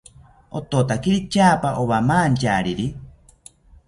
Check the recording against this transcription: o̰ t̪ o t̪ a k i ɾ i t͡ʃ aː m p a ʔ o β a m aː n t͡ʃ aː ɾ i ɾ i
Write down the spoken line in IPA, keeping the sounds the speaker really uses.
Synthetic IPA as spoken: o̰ t̪ o t̪ a k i ɾ i t͡ʃ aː p a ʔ o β a m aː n t͡ʃ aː ɾ i ɾ i